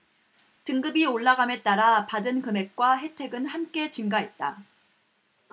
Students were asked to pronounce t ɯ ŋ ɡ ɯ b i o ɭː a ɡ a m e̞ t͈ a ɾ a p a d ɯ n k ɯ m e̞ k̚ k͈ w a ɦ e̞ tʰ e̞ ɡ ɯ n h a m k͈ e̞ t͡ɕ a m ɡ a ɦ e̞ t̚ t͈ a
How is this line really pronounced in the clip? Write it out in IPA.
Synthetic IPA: t ɯ ŋ ɡ ɯ b i o ɭː a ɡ a m e̞ t͈ a ɾ a p a d ɯ n k ɯ m e̞ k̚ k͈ w a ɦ e̞ tʰ e̞ ɡ ɯ n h a m k͈ e̞ t͡ɕ i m ɡ a ɦ e̞ t̚ t͈ a